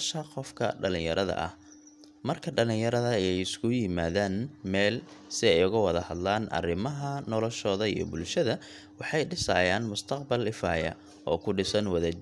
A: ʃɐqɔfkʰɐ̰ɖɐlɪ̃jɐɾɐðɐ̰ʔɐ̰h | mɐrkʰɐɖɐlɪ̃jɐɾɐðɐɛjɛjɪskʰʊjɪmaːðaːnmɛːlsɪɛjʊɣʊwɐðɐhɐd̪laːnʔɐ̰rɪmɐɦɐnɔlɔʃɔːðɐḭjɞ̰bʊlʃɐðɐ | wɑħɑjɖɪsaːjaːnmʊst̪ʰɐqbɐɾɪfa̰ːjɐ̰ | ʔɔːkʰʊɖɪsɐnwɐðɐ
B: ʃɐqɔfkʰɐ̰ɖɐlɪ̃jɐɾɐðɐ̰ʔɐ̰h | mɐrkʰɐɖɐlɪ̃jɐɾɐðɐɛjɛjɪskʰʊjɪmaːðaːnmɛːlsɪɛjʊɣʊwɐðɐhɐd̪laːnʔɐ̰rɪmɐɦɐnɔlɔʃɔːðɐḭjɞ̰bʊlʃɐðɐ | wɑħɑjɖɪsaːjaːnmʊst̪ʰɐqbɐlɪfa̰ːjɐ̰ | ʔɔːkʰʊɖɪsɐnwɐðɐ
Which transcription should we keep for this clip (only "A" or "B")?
B